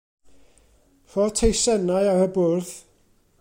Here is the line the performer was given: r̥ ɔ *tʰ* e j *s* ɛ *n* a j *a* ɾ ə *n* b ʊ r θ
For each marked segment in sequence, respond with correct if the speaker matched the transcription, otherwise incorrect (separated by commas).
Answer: correct, correct, correct, correct, incorrect